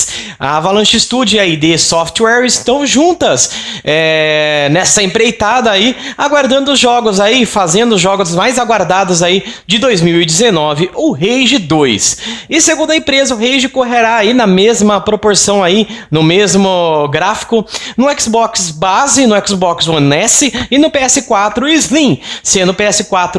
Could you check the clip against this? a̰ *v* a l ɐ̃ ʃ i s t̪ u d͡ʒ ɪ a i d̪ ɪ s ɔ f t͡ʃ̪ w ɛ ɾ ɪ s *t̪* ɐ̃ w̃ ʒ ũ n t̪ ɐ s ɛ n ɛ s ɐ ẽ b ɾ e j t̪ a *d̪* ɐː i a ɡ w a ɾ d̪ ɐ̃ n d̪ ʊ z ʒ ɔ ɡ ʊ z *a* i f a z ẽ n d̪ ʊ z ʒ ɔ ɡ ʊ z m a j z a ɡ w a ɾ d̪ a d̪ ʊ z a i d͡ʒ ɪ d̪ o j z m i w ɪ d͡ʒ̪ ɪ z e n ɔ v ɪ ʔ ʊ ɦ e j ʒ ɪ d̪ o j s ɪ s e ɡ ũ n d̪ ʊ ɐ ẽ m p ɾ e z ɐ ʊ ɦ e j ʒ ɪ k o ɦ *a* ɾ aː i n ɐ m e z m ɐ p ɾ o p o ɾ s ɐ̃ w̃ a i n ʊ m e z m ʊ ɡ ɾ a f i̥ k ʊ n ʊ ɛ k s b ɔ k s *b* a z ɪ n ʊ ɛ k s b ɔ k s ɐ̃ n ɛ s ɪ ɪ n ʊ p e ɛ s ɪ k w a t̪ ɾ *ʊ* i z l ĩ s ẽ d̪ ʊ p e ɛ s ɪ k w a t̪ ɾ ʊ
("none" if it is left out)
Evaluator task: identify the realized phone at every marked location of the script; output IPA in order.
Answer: v, t̪, d̪, a, e, b, ʊ

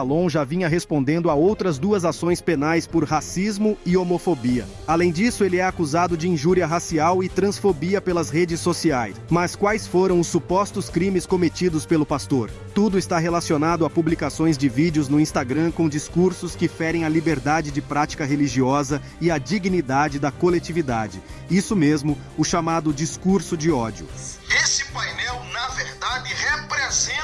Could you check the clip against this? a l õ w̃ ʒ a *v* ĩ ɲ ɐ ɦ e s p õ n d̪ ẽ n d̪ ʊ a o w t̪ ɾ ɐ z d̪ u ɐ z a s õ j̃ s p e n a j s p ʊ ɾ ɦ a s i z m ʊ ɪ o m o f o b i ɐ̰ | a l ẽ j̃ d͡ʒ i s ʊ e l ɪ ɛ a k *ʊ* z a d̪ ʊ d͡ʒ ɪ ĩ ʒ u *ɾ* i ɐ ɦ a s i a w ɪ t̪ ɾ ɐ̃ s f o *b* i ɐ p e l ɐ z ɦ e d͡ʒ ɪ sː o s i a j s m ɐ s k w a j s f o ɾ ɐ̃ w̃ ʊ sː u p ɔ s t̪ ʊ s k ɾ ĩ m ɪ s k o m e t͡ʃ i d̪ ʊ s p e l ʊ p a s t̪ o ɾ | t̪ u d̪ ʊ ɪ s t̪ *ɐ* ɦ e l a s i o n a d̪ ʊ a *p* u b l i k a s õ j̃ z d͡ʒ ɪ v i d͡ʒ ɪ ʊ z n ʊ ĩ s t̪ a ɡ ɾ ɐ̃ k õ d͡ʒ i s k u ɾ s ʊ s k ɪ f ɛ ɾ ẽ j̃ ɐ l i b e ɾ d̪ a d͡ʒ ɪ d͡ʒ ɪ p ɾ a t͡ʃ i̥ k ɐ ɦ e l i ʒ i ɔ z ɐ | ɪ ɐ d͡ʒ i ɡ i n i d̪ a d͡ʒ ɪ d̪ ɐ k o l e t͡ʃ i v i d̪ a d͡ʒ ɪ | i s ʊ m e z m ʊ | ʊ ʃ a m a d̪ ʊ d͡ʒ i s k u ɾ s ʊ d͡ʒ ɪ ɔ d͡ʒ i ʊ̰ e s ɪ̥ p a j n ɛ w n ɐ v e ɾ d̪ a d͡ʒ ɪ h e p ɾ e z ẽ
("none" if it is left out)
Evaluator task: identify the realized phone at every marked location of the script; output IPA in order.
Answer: v, u, ɾ, b, a, p

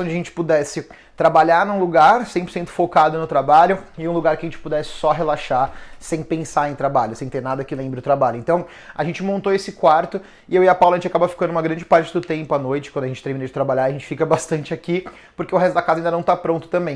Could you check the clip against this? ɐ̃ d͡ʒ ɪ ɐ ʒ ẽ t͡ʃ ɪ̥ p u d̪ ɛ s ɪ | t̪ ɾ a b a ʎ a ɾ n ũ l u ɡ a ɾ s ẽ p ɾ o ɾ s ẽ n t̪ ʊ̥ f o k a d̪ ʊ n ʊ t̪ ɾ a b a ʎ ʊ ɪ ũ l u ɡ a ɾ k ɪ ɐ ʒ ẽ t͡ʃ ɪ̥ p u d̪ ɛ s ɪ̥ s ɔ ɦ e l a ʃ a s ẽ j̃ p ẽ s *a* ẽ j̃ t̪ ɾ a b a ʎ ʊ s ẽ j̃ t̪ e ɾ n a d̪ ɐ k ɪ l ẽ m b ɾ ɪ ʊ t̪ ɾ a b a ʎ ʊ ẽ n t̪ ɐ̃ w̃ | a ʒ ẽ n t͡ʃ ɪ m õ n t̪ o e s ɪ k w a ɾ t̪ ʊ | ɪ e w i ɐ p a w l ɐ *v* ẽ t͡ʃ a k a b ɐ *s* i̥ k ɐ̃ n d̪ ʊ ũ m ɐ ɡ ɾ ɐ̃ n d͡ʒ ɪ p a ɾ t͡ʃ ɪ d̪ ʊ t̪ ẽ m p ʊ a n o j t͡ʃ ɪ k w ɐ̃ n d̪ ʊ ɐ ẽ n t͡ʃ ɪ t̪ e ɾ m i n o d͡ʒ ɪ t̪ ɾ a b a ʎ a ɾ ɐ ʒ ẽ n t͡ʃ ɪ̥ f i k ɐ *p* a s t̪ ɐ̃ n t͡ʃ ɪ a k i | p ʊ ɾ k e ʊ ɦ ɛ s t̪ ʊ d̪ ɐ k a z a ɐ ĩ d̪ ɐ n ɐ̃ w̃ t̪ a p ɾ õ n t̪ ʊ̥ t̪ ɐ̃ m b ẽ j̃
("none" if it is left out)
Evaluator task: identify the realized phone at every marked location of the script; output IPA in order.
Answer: a, ʒ, f, b

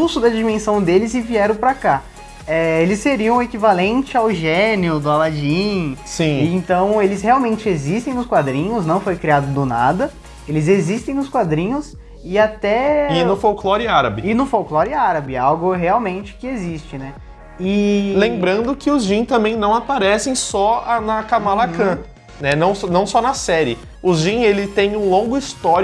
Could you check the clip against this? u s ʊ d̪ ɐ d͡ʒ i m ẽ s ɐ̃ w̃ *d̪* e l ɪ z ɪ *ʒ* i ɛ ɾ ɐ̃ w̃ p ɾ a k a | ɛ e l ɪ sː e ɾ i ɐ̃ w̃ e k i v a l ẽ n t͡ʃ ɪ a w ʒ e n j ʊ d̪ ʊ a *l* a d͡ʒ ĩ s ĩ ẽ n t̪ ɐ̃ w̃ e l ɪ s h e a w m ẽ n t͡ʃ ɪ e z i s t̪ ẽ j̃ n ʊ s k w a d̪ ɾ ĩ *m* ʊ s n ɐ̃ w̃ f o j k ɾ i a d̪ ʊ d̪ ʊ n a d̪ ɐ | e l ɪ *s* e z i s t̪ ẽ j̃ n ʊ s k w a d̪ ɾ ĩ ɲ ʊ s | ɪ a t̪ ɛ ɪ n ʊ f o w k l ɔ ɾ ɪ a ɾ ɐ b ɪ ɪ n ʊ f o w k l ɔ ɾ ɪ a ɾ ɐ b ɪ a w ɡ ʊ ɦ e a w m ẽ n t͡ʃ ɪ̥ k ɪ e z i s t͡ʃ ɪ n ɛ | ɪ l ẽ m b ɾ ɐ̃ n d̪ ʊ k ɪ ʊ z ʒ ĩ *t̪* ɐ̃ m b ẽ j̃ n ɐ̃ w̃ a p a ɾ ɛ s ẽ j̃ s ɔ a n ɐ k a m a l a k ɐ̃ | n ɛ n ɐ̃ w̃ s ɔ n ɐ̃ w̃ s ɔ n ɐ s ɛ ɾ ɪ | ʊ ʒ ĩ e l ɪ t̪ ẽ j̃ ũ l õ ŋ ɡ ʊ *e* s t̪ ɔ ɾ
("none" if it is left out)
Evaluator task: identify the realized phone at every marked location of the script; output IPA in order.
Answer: d̪, v, l, ɲ, z, t̪, i

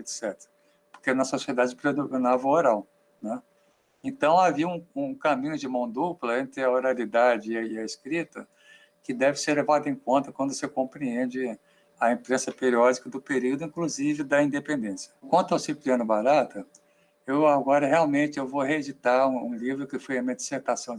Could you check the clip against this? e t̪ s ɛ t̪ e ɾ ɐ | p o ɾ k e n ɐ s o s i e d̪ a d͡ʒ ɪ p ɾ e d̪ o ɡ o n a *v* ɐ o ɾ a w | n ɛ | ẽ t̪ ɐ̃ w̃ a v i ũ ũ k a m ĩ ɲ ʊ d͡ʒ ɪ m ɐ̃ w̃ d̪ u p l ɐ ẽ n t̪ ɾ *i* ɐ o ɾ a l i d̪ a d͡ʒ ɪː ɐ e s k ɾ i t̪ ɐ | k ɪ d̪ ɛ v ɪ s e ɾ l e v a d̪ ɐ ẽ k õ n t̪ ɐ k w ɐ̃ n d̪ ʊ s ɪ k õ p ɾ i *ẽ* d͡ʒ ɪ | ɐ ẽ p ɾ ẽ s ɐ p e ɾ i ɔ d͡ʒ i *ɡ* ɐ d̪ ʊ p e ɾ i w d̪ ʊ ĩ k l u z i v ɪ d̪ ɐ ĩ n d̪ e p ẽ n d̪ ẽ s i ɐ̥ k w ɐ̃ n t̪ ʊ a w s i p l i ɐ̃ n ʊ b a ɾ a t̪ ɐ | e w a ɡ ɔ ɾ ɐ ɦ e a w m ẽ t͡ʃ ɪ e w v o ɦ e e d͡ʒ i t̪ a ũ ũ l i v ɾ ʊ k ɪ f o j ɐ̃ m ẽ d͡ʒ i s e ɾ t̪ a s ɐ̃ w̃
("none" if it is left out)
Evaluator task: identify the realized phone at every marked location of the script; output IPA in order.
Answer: v, ɪ, ẽ, k

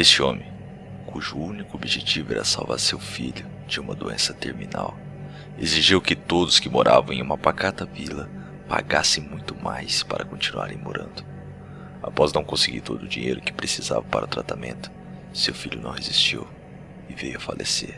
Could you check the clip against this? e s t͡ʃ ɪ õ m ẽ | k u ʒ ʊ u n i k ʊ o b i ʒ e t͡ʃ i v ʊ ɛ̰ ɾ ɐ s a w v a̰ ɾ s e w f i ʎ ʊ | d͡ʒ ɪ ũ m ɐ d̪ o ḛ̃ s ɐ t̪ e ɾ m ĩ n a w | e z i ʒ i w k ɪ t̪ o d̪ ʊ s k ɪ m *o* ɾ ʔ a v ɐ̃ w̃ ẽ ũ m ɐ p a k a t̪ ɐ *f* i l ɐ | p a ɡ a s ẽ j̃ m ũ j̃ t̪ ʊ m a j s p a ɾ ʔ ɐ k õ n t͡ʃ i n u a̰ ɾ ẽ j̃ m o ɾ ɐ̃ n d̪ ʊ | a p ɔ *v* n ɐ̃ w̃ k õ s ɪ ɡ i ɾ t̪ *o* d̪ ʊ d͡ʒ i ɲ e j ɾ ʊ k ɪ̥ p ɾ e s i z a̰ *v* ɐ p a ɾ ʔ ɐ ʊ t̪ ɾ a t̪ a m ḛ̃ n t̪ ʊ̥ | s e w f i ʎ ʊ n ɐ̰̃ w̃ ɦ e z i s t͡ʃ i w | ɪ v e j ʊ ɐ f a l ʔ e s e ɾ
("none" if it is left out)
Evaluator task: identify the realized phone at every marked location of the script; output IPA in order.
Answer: o, v, z, o, v

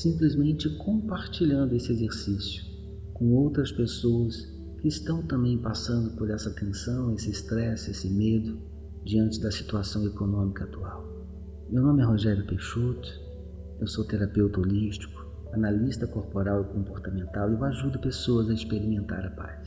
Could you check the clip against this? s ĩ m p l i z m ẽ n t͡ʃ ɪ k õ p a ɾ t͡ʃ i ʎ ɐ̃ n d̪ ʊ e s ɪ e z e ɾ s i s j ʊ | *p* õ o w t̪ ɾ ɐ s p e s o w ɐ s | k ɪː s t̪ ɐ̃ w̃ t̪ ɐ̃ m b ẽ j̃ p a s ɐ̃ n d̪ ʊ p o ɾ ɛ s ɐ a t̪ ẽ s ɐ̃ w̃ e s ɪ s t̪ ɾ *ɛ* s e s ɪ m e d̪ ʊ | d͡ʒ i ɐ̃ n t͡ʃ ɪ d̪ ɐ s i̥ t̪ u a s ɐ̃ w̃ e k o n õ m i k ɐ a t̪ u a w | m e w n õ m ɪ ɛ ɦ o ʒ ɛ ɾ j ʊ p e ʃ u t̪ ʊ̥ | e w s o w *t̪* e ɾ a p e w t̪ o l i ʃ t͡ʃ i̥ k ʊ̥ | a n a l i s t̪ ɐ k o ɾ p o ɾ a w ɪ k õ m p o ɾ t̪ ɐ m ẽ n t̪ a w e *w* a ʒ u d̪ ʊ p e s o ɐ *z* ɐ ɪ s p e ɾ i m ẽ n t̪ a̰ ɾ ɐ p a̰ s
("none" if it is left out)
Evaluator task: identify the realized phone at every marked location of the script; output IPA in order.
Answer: k, ɛ, t̪, w, z

